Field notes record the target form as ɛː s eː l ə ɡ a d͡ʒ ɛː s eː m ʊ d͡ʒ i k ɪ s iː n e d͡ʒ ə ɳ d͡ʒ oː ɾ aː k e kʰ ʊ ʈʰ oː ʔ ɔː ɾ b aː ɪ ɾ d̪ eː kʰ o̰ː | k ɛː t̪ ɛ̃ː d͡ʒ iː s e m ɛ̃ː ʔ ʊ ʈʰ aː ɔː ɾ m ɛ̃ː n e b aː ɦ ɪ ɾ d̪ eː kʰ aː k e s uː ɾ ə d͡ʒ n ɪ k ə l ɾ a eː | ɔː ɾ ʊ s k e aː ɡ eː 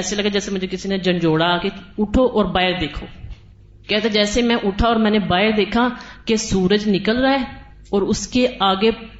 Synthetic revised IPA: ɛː s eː l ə ɡ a d͡ʒ ɛː s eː m ʊ d͡ʒ e k ɪ s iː n e d͡ʒ ə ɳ d͡ʒ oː ɽ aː k e ʊ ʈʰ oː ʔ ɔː ɾ b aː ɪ ɾ d̪ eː kʰ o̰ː | k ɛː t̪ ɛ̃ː d͡ʒ ɛː s e m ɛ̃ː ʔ ʊ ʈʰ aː ɔː ɾ m ɛ̃ː n e b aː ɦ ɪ ɾ d̪ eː kʰ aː k e s uː ɾ ə d͡ʒ n ɪ k ə l ɾ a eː | ɔː ɾ ʊ s k e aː ɡ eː